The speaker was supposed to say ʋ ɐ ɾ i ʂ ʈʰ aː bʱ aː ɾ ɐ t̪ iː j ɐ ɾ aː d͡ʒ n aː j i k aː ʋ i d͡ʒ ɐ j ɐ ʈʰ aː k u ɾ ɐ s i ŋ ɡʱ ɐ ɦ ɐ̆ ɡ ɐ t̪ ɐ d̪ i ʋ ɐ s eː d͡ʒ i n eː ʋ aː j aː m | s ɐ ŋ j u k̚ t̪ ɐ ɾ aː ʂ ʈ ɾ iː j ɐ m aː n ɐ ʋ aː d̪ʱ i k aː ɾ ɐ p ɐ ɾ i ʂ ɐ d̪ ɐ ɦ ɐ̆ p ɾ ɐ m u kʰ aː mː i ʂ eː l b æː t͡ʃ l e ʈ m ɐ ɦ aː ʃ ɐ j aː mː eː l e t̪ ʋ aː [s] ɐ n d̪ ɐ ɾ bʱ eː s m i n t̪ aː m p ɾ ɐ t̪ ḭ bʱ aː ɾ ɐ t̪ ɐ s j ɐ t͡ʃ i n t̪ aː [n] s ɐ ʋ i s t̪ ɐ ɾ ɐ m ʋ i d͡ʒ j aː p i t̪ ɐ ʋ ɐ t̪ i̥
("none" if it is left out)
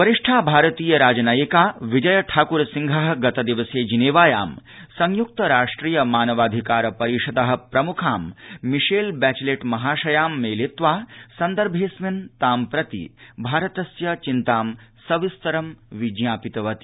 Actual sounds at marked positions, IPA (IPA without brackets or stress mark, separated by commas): s, m